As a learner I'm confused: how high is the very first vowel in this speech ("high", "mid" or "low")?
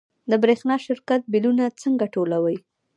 mid